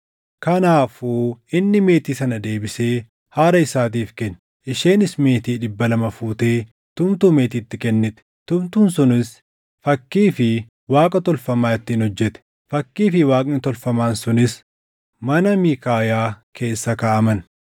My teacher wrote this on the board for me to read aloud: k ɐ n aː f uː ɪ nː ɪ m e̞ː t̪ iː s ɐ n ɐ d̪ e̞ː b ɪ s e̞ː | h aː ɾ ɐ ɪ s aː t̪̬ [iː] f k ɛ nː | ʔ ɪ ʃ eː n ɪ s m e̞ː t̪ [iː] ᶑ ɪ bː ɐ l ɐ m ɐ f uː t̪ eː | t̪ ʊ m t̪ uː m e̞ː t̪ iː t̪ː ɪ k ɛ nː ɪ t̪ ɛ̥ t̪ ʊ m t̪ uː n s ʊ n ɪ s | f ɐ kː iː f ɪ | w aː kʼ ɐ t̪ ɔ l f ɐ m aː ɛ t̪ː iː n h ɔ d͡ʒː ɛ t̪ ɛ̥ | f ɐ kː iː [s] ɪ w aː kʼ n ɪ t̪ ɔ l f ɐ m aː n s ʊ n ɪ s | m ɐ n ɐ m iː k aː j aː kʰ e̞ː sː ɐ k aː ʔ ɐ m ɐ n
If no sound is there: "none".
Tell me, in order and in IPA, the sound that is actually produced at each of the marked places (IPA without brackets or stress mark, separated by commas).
iː, iː, f